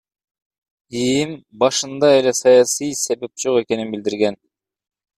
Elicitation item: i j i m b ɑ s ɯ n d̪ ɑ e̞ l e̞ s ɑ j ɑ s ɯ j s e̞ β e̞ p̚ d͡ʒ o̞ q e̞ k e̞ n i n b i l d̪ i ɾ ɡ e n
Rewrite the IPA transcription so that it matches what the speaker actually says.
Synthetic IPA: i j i m b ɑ ʃ ɯ n d̪ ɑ e̞ l e̞ s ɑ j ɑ s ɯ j s e̞ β e̞ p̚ d͡ʒ o̞ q e̞ k e̞ n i n b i l d̪ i ɾ ɡ e n